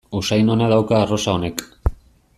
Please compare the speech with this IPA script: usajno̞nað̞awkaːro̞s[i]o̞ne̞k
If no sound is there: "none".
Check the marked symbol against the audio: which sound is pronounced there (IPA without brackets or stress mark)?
a